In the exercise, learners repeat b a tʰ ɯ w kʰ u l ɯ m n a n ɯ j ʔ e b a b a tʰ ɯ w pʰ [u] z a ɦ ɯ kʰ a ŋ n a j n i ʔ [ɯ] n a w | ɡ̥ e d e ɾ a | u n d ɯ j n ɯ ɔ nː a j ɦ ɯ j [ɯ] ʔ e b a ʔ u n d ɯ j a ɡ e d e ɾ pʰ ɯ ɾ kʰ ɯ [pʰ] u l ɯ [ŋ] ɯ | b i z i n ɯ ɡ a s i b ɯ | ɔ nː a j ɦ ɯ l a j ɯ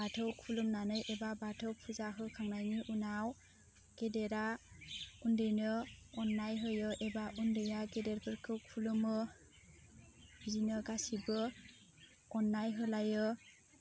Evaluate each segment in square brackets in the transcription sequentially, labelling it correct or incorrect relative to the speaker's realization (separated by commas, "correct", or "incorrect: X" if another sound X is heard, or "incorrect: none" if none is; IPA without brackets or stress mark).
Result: correct, incorrect: u, correct, incorrect: kʰ, incorrect: m